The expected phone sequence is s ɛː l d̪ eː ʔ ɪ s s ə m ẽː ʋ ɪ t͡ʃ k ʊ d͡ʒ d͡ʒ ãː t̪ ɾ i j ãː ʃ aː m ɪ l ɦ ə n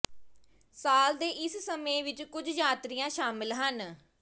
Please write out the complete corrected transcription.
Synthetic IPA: s aː l d̪ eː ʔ ɪ s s ə m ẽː ʋ ɪ t͡ʃ k ʊ d͡ʒ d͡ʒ aː t̪ ɾ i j ãː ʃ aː m ɪ l ɦ ə n